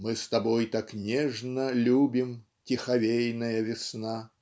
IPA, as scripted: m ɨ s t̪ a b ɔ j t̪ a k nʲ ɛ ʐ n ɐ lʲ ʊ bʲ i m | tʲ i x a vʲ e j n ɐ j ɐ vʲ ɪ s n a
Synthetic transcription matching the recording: m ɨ s t̪ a b ɔ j t̪ a k nʲ ɛ ʐ n ɐ lʲ u bʲ i m | tʲ i x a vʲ e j n ɐ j ɐ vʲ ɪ s n a